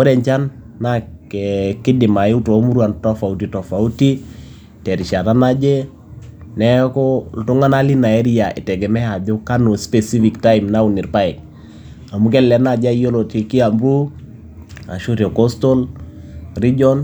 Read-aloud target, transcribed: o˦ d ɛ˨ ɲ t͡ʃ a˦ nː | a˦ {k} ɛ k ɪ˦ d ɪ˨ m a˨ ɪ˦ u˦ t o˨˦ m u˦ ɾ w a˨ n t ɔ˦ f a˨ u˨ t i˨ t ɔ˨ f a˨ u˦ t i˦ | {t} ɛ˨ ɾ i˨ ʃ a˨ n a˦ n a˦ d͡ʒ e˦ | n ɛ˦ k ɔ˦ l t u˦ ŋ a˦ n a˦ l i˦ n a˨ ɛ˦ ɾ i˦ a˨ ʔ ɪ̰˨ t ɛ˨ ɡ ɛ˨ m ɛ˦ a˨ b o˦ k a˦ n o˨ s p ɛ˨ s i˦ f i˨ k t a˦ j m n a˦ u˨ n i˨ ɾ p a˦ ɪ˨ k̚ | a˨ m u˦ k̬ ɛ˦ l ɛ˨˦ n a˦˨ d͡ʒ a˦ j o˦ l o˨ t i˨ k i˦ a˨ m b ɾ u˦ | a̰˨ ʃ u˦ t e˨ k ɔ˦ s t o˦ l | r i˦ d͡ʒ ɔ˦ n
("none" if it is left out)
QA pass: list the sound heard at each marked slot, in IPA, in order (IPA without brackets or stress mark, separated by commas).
k, t